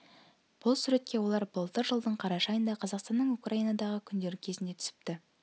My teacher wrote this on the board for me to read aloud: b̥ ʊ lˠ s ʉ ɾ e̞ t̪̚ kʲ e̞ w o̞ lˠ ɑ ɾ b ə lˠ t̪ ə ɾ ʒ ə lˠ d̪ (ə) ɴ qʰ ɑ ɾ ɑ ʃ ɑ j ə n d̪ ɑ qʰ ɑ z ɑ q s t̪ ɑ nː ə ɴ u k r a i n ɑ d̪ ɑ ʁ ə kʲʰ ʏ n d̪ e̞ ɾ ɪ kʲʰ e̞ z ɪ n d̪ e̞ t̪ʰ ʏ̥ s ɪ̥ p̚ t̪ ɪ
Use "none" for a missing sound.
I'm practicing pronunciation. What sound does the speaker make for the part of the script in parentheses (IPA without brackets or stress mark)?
ə